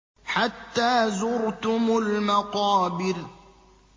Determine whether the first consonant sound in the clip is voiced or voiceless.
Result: voiceless